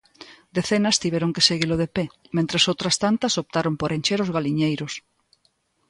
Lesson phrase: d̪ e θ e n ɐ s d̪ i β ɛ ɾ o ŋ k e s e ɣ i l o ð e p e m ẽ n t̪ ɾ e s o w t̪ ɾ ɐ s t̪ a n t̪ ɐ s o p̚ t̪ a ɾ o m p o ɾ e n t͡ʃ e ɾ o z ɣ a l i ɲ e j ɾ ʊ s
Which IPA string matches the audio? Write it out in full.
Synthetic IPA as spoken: d̪ e θ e n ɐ s t̪ i β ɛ ɾ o ŋ k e s e ɣ i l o ð e p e m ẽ n t̪ ɾ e s o w t̪ ɾ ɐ s t̪ a n t̪ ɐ s o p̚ t̪ a ɾ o m p o ɾ e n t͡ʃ e ɾ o z ɣ a l i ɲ e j ɾ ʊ s